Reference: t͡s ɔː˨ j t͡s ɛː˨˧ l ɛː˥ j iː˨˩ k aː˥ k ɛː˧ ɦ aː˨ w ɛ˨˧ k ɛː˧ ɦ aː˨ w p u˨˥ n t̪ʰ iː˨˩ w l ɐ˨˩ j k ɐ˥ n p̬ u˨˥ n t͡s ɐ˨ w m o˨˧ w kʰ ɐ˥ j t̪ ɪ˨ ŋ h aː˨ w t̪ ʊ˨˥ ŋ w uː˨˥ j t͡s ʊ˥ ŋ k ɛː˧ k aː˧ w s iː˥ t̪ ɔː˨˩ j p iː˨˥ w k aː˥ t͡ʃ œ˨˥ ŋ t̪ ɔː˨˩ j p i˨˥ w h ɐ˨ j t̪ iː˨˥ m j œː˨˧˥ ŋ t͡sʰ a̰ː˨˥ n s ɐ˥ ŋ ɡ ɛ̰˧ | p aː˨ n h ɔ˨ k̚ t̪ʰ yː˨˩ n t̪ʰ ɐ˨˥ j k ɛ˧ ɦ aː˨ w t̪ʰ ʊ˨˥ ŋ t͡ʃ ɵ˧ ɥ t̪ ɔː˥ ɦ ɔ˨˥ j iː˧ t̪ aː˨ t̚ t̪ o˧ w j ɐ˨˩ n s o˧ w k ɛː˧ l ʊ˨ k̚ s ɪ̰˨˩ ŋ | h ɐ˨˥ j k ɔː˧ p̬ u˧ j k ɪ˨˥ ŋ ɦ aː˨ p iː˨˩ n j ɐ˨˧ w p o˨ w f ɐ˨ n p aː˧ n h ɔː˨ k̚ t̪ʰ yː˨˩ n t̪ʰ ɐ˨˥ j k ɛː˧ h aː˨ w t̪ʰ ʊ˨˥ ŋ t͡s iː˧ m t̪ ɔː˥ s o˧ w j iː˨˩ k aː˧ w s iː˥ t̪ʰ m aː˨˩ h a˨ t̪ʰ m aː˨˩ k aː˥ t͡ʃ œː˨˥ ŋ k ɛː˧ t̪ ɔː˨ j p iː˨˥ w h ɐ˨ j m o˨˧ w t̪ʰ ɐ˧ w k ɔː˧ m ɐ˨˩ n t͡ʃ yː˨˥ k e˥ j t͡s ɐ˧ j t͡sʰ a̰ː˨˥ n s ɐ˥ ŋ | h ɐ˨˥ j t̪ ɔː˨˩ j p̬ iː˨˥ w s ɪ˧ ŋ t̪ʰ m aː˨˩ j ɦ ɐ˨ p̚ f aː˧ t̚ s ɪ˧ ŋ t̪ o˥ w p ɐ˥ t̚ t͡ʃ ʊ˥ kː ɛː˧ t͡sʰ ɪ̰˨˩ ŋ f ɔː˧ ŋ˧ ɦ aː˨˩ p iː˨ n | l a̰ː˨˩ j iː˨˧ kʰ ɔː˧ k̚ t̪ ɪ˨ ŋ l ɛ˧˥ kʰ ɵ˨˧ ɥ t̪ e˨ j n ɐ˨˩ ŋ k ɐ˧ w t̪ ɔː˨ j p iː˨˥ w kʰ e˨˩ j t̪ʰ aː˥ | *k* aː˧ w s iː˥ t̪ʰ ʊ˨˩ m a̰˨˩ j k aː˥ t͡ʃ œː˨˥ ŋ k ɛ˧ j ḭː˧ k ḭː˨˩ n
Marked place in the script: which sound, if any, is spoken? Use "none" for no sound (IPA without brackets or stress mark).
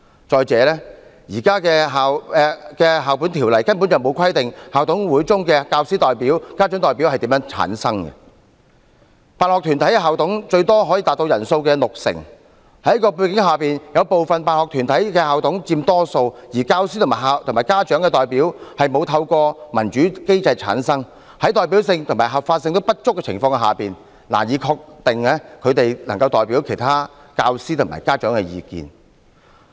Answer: k